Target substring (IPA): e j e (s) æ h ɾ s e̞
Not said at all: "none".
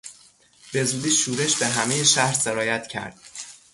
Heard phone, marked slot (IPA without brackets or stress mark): ʃ